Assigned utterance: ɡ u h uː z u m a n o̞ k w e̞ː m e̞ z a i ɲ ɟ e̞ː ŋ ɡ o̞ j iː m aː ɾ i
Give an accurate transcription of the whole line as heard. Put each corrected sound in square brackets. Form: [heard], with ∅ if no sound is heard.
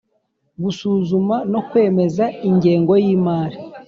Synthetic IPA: ɡ u [s] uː z u m a n o̞ k w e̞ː m e̞ z a i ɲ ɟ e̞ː ŋ ɡ o̞ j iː m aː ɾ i